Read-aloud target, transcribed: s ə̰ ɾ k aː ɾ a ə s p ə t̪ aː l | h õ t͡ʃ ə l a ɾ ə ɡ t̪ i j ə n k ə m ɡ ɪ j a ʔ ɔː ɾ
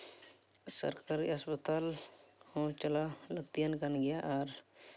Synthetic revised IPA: s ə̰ ɾ k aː ɾ i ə s p ə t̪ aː l | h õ t͡ʃ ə l a l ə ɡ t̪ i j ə n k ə n ɡ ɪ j a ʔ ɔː ɾ